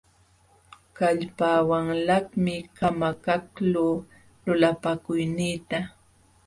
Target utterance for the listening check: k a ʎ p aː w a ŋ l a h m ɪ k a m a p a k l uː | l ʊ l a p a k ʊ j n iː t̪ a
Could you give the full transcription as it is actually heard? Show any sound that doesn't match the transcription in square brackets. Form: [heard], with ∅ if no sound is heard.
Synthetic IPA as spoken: k a ʎ p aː w a ŋ l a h m ɪ k a m a [k] a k l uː | l ʊ l a p a k ʊ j n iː t̪ a